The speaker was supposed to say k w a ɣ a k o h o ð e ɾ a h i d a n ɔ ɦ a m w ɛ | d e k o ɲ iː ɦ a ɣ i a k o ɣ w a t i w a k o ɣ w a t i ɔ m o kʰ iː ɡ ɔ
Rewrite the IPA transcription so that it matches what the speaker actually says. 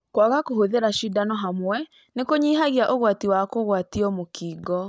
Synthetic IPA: k w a ɣ a k o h o ð e ɾ a ʃ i d a n ɔ ɦ a m w ɛ | n e k o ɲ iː ɦ a ɣ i a ʔ o ɣ w a t i w a k o ɣ w a t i ɔ m o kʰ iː ɡ ɔ